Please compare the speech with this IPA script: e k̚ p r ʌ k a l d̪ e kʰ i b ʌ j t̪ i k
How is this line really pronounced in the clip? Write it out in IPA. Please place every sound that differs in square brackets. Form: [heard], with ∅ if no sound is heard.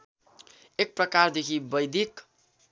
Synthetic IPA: e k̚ p r ʌ k a [r] d̪ e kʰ i b ʌ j [d̪] i k